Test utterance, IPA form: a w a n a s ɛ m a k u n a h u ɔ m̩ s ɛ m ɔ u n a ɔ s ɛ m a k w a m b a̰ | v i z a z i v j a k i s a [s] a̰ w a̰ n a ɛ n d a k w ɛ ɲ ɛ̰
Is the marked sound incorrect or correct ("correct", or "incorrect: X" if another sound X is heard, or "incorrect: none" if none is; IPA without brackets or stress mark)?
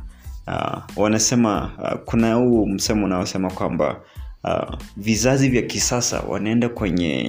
correct